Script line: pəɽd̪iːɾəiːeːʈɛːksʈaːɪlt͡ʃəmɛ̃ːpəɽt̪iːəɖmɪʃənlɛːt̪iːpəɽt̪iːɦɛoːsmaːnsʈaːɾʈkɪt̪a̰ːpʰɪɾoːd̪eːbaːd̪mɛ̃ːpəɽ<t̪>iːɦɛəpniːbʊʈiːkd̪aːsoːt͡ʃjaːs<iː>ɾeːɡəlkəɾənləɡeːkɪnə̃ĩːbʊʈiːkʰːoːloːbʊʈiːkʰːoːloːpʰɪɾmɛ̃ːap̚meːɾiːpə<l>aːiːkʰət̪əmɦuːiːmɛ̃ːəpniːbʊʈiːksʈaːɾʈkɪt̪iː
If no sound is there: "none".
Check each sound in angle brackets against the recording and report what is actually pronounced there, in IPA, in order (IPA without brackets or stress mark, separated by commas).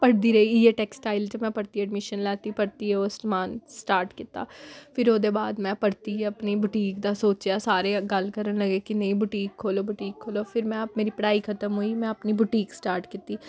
t̪, aː, ɽ